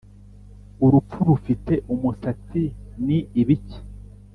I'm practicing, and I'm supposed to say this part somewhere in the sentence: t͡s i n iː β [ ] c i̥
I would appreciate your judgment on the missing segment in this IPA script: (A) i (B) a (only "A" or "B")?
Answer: A